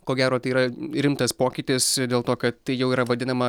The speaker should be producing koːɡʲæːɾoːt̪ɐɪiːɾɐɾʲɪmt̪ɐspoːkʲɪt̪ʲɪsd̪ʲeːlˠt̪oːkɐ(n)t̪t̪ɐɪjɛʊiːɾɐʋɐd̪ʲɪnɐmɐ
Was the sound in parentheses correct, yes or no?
no